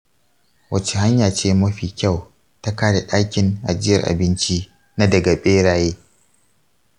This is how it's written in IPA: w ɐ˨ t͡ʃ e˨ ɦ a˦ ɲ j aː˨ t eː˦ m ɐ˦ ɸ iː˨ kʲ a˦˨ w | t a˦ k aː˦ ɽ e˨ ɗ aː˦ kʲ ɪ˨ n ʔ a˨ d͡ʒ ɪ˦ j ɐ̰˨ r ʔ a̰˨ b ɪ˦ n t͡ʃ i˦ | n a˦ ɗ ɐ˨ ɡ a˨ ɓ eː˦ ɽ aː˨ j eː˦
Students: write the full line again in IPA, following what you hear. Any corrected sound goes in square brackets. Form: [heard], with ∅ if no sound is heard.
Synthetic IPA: w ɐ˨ t͡ʃ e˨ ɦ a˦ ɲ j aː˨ [t͡ʃ] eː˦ m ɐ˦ ɸ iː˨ kʲ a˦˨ w | t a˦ k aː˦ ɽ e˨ ɗ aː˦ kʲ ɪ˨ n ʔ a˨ d͡ʒ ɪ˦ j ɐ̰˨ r ʔ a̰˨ b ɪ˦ n t͡ʃ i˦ | n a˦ [d] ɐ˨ ɡ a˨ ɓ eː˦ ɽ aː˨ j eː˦